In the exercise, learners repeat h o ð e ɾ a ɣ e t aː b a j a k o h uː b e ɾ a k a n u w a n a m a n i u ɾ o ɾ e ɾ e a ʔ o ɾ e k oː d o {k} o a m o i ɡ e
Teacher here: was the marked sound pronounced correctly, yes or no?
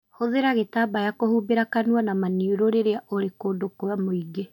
yes